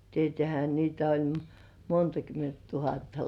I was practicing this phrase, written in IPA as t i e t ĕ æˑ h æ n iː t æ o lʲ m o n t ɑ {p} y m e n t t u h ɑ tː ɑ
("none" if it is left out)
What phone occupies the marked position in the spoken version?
k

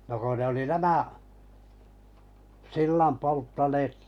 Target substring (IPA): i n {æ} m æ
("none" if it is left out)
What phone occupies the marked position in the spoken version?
æ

